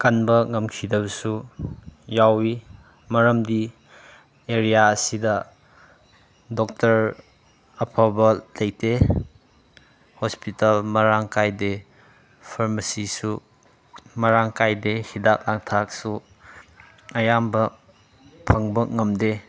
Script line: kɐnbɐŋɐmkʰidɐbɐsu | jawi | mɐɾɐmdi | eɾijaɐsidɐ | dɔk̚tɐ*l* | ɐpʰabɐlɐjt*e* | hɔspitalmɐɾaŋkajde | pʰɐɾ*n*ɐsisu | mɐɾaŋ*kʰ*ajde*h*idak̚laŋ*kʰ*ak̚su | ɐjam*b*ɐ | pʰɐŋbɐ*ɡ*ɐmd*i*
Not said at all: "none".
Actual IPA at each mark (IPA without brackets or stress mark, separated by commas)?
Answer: ɾ, e, m, k, h, tʰ, b, ŋ, e